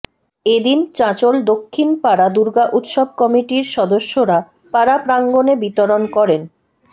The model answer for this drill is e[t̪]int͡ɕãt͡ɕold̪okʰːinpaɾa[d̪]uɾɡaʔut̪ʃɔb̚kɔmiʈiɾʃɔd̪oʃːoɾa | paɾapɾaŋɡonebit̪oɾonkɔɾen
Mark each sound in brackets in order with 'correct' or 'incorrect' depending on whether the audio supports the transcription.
incorrect, correct

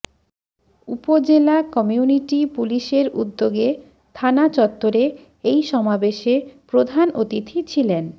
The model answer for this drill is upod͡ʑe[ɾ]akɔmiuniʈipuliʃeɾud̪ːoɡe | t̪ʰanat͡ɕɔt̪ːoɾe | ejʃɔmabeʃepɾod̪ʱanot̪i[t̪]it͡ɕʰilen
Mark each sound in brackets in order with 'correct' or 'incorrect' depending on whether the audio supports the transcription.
incorrect, incorrect

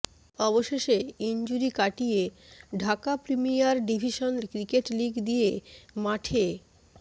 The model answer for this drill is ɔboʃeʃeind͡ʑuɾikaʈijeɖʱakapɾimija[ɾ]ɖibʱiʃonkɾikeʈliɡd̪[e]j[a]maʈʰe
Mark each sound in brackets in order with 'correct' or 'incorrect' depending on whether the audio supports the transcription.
correct, incorrect, incorrect

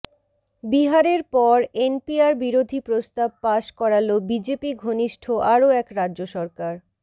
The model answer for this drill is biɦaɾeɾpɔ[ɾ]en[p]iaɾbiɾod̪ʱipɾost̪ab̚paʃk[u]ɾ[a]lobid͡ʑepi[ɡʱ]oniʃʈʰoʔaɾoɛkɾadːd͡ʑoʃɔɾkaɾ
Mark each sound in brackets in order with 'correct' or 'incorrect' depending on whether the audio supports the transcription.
correct, correct, incorrect, correct, correct

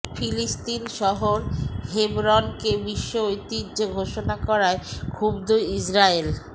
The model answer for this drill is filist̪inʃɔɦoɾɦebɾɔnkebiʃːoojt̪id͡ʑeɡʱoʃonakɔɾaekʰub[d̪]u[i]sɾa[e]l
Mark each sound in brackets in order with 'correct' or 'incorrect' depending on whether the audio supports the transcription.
correct, correct, correct

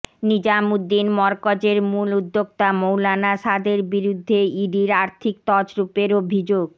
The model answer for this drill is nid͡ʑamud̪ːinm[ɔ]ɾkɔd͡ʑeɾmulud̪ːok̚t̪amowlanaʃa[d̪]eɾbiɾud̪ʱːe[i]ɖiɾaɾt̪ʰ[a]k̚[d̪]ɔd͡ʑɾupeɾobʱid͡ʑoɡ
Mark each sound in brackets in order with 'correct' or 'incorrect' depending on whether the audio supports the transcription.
correct, correct, correct, incorrect, incorrect

